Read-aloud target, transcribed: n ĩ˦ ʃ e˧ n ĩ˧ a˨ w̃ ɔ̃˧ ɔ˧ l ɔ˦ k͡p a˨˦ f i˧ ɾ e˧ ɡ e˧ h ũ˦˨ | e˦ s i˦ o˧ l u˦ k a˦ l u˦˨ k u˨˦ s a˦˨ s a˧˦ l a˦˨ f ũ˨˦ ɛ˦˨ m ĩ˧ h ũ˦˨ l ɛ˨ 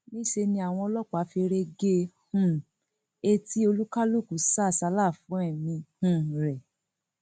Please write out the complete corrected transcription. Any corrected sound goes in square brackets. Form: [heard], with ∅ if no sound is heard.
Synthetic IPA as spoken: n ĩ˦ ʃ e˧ n ĩ˧ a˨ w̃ ɔ̃˧ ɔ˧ l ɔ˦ k͡p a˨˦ f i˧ ɾ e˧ ɡ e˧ h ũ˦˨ | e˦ [t] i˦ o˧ l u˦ k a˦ l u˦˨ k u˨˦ s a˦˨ s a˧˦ l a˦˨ f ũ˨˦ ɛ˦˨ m ĩ˧ h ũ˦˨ [ɾ] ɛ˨